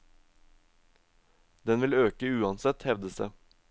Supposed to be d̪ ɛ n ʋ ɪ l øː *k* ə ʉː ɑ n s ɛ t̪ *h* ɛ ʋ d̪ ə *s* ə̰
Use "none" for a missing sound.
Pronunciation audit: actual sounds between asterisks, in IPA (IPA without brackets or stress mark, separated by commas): k, h, s